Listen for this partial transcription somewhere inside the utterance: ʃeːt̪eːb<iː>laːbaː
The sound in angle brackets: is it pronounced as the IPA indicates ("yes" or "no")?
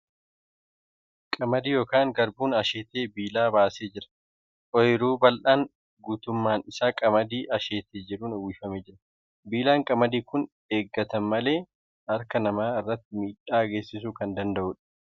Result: yes